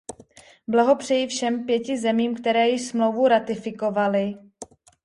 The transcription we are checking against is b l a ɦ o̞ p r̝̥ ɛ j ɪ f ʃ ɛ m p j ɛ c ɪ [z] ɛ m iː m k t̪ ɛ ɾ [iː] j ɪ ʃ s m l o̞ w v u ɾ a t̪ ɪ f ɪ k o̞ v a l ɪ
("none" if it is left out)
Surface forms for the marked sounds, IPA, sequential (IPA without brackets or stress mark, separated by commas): z, ɛː